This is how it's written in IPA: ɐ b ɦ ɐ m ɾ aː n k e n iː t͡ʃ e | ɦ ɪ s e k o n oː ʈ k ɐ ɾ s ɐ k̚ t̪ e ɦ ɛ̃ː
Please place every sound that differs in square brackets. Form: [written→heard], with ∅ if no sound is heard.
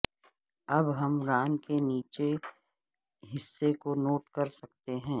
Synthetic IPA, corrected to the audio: ɐ b ɦ ɐ m ɾ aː n k e n iː t͡ʃ e | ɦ ɪ [s→sː] e k o n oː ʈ k ɐ ɾ s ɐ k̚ t̪ e ɦ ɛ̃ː